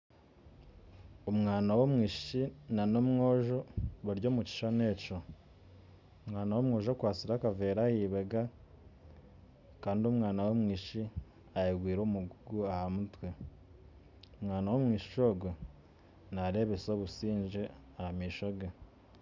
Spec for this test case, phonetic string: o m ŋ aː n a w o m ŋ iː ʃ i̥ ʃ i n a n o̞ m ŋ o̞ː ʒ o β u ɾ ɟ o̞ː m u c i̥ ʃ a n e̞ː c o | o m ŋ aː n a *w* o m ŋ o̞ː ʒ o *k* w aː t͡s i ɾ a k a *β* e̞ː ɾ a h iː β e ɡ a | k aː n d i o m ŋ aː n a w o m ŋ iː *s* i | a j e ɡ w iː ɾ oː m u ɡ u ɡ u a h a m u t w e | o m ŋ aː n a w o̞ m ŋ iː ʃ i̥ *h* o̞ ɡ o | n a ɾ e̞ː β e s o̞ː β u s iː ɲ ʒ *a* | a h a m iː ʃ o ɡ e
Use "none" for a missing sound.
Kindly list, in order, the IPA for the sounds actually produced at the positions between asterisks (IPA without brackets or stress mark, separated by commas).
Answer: w, k, v, ʃ, ʃ, e